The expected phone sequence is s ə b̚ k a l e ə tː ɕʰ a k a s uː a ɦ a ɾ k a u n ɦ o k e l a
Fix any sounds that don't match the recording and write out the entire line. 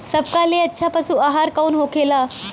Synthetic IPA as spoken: s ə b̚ k a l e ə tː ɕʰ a p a s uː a ɦ a ɾ k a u n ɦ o k e l a